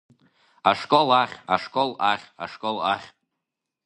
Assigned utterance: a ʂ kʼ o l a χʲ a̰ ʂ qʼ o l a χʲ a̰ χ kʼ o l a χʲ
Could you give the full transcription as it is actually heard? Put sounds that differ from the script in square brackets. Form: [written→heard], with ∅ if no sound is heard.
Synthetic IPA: a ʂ kʼ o l a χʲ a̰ ʂ [qʼ→kʼ] o l a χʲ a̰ [χ→ʂ] kʼ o l a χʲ